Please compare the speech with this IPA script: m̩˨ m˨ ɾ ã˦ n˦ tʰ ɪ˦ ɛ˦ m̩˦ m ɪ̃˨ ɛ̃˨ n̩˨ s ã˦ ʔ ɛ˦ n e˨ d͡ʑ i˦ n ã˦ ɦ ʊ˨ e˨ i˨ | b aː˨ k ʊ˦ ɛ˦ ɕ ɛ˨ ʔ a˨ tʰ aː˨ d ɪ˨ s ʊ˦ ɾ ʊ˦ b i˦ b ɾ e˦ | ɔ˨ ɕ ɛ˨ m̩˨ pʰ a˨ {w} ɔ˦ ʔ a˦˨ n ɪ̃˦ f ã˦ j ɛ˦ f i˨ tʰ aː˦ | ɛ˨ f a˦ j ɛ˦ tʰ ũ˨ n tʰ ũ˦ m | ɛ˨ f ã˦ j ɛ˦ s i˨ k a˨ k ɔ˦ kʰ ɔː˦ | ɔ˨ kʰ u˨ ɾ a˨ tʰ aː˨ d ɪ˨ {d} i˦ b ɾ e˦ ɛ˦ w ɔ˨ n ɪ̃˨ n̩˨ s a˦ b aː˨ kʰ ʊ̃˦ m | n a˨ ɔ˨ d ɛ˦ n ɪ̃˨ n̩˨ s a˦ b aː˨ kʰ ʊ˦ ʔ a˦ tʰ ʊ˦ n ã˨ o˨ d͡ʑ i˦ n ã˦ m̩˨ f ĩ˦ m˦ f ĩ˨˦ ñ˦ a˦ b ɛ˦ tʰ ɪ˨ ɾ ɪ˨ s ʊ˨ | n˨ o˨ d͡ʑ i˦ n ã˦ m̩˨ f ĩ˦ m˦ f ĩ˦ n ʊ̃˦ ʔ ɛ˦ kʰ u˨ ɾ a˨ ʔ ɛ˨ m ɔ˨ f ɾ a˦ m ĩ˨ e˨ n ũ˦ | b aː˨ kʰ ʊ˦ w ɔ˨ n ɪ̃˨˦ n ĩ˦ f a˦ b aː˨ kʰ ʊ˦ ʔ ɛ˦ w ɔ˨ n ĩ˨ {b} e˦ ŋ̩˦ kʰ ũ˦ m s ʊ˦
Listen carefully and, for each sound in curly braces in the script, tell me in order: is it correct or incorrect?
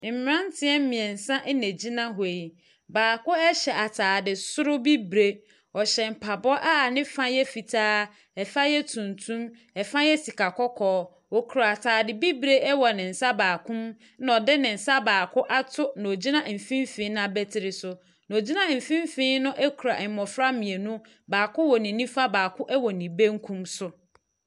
incorrect: b, incorrect: b, correct

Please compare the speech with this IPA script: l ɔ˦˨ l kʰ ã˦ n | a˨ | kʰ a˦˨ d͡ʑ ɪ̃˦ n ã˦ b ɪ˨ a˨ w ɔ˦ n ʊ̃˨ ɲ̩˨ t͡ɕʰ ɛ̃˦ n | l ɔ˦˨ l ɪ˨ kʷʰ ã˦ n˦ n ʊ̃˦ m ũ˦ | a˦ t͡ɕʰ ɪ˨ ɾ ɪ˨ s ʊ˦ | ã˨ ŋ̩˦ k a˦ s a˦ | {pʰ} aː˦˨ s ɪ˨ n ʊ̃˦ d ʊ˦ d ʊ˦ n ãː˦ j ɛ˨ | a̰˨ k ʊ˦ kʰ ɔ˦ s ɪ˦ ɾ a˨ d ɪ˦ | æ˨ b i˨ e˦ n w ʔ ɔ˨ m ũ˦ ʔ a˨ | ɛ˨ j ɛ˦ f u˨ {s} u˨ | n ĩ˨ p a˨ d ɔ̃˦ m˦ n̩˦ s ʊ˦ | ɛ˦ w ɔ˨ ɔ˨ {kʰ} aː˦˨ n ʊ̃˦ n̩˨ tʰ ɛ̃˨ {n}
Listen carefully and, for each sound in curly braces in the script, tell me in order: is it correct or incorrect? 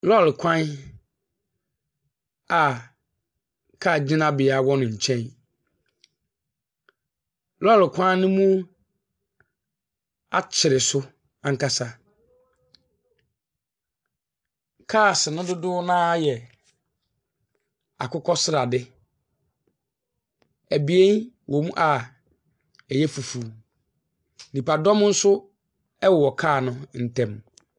incorrect: kʰ, incorrect: f, correct, incorrect: m

